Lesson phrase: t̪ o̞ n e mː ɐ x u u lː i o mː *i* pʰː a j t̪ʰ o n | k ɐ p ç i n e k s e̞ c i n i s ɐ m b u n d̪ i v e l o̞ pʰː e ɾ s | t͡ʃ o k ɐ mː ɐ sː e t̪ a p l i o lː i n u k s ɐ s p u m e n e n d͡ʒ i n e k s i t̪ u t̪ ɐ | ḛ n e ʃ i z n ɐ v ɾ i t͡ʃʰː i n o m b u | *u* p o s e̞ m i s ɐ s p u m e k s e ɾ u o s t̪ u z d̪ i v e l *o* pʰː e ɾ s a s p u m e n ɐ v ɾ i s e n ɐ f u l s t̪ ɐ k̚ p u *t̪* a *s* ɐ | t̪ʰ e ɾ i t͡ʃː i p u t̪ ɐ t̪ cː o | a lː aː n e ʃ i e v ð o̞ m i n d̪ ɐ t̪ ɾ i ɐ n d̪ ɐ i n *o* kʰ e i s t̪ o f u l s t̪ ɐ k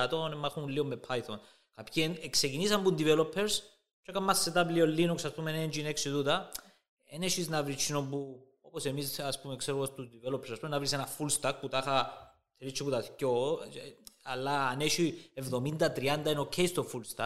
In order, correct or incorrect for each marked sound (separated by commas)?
incorrect, incorrect, correct, correct, incorrect, correct